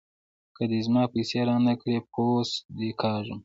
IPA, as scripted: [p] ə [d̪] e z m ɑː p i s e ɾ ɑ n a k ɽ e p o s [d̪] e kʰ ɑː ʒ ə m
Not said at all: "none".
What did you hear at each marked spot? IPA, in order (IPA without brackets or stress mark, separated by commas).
k, d̪, d̪